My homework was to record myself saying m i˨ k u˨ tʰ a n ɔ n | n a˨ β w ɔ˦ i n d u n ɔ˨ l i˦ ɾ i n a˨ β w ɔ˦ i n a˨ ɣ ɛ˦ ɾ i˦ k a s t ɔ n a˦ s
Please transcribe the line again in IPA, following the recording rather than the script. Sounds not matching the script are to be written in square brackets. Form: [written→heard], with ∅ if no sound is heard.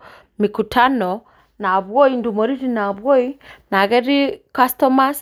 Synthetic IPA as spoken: m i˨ k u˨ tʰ a n ɔ [n→∅] | n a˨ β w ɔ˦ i n d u [n→m] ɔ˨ [l→ɾ] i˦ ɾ i n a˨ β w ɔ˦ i n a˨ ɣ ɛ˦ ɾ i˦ k a s t ɔ [n→m] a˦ s